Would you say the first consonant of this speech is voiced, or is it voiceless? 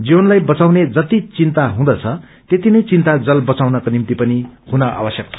voiced